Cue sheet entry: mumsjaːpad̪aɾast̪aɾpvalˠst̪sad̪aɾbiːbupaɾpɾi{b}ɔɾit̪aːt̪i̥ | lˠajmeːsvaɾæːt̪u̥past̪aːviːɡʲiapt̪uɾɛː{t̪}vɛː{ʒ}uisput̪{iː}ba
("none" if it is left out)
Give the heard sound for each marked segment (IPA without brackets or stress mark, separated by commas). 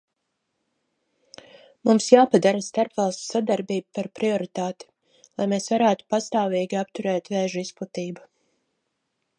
none, t̪, ʒ, iː